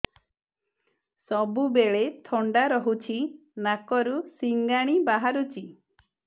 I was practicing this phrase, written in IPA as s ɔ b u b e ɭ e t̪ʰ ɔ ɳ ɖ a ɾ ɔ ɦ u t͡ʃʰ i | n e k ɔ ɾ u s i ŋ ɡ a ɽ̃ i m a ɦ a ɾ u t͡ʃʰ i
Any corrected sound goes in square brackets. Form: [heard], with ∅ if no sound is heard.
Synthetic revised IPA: s ɔ b u b e ɭ e t̪ʰ ɔ ɳ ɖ a ɾ ɔ ɦ u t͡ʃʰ i | n [a] k ɔ ɾ u s i ŋ ɡ a ɽ̃ i [b] a ɦ a ɾ u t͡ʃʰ i